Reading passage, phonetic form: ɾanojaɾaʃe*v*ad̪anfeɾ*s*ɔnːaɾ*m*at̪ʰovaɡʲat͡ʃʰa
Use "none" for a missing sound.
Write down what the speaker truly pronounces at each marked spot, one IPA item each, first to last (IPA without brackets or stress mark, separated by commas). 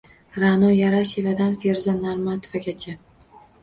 v, z, m